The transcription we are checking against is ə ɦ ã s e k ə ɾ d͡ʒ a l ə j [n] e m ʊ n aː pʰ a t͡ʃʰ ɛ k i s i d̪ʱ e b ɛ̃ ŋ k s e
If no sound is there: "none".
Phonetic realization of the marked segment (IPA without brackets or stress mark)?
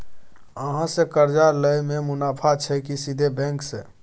m